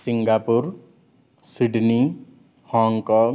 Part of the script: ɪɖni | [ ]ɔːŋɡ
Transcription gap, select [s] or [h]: h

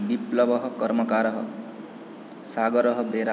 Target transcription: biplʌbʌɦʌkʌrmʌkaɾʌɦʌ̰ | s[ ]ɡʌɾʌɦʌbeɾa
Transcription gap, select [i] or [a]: a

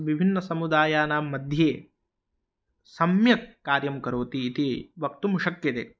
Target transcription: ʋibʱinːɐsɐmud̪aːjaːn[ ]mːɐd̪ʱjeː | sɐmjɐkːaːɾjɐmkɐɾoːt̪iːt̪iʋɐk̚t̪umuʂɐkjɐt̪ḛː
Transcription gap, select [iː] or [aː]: aː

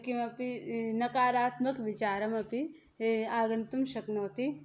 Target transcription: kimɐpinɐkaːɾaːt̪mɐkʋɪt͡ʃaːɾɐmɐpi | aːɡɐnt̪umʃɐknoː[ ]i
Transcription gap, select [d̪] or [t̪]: t̪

